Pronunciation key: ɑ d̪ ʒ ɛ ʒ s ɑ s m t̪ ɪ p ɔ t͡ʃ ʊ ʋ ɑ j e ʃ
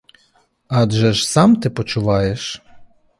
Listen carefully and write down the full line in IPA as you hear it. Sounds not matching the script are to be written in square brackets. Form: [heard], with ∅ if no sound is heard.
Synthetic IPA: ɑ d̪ ʒ ɛ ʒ s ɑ [∅] m t̪ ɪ p ɔ t͡ʃ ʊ ʋ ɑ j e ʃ